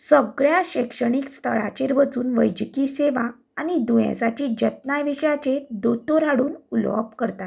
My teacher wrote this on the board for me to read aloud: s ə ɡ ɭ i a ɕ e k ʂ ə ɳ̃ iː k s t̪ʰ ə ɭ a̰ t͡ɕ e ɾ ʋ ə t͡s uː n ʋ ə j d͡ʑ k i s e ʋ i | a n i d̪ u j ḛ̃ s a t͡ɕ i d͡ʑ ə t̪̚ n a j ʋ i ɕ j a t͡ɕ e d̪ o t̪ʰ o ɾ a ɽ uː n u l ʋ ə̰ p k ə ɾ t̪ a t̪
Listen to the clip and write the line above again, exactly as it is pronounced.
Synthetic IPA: s ə ɡ ɭ j a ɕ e k ʂ ə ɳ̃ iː k s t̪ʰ ə ɭ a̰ t͡ɕ e ɾ ʋ ə t͡s uː n ʋ ə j d͡ʑ k i s e ʋ a | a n i d̪ u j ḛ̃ s a t͡ɕ i d͡ʑ ə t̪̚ n a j ʋ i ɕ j a t͡ɕ e d̪ o t̪ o ɾ a ɽ uː n u l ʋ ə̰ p k ə ɾ t̪ a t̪